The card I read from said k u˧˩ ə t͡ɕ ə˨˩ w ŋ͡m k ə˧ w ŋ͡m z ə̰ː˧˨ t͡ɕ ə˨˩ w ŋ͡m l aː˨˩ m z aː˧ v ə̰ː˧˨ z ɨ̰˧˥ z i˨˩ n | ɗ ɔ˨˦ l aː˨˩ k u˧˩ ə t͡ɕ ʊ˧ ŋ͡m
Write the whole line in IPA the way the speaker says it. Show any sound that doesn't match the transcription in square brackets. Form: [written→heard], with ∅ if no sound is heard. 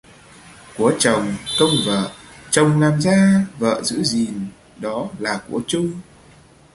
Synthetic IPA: k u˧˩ ə t͡ɕ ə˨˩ w ŋ͡m k ə˧ w ŋ͡m [z→v] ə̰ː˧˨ t͡ɕ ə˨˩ w ŋ͡m l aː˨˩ m z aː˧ v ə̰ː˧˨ z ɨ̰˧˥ z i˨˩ n | ɗ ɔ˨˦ l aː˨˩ k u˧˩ ə t͡ɕ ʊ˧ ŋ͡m